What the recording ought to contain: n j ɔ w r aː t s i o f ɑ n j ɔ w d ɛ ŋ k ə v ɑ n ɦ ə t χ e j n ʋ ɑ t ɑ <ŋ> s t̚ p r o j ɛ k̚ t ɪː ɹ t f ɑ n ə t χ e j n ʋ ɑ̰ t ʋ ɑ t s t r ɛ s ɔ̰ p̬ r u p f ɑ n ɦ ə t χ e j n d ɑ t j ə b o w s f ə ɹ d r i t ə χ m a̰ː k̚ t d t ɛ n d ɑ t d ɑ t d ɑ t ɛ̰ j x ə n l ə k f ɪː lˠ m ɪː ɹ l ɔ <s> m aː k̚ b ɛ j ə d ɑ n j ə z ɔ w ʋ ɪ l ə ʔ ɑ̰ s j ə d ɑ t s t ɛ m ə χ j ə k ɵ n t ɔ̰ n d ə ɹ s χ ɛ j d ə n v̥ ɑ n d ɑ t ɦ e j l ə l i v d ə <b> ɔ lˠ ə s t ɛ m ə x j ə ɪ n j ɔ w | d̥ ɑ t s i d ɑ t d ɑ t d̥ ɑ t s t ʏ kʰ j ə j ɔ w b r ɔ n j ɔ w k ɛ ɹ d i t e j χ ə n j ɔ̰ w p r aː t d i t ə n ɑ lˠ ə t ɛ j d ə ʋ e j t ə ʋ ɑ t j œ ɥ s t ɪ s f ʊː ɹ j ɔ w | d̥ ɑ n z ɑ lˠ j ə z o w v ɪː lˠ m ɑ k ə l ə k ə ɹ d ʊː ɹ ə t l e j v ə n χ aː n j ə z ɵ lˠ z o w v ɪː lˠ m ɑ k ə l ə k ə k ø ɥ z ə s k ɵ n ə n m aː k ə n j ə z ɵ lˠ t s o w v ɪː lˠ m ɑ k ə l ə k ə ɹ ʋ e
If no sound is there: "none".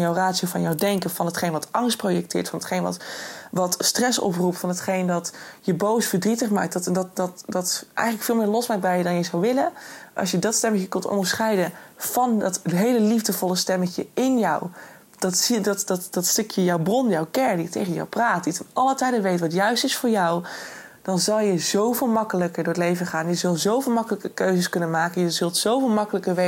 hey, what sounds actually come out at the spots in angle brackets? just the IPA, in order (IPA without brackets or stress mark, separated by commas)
ŋ, s, v